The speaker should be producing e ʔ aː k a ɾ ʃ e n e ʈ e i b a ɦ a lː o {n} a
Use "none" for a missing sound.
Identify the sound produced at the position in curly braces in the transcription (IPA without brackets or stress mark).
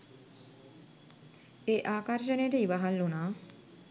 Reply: n